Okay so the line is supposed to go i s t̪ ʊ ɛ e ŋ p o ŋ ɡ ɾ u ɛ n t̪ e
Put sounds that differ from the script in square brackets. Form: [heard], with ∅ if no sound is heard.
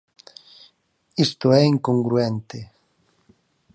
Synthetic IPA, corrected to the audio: i s t̪ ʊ ɛ [i] ŋ [k] o ŋ ɡ ɾ u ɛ n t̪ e